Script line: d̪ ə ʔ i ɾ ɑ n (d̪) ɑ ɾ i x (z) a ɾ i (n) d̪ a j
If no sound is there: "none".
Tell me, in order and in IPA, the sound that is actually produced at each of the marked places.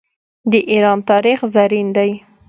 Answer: t̪, z, n

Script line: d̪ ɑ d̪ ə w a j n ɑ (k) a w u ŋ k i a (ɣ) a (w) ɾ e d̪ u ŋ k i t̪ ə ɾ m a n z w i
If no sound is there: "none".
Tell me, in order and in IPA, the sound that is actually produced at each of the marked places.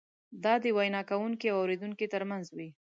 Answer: k, w, w

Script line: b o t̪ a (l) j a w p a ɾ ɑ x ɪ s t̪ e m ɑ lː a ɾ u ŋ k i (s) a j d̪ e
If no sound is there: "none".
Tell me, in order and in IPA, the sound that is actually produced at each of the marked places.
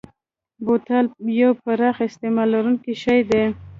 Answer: l, ʃ

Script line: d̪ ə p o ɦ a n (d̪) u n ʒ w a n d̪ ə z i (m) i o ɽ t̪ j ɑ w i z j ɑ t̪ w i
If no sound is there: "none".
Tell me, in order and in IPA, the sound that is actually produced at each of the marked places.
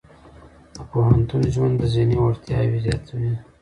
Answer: t̪, n

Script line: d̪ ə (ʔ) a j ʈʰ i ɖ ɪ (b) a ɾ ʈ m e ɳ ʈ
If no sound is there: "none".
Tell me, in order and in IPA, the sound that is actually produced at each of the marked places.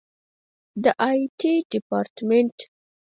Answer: ʔ, p

